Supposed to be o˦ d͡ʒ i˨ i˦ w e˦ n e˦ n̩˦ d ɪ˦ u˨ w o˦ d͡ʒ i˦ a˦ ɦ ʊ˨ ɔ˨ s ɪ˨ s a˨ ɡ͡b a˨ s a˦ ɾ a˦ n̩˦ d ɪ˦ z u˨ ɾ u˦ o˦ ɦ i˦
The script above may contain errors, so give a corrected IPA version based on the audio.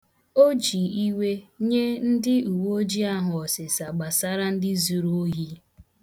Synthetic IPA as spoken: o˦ d͡ʒ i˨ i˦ w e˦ ɲ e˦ n̩˦ d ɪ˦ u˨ w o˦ d͡ʒ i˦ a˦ ɦ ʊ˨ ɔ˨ s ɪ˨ s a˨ ɡ͡b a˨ s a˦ ɾ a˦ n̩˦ d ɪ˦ z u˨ ɾ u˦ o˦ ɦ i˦